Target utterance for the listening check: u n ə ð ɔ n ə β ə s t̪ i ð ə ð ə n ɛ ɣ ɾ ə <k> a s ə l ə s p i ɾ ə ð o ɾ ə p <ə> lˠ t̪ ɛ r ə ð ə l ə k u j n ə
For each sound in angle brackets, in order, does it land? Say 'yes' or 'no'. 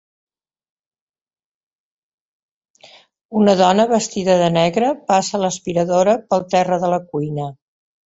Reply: no, yes

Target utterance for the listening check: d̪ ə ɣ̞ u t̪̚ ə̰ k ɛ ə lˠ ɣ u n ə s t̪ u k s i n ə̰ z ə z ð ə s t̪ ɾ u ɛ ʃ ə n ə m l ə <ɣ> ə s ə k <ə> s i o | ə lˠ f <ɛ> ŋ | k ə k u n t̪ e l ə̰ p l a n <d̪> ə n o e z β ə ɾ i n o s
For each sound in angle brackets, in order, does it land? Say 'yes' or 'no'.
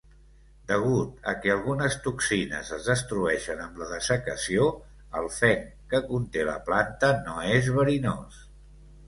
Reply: no, yes, yes, no

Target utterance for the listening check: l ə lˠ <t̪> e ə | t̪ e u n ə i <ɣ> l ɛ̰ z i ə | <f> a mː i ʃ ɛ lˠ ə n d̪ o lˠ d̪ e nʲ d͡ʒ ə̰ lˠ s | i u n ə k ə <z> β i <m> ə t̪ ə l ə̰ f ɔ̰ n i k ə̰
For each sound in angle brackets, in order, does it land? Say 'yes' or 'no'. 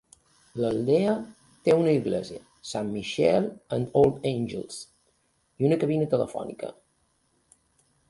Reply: no, yes, no, no, no

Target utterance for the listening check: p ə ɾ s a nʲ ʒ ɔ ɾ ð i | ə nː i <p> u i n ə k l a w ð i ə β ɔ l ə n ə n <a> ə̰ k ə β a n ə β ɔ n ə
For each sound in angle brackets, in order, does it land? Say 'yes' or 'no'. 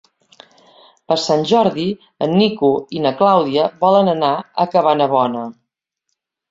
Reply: no, yes

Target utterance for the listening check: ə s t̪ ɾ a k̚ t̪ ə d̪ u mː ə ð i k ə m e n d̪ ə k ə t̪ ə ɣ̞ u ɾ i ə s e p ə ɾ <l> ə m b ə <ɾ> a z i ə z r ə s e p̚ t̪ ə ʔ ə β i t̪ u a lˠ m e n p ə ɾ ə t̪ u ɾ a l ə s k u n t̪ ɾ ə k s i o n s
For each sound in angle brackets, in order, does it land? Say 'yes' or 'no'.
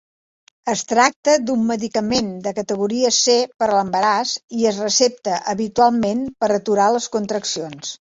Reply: yes, yes

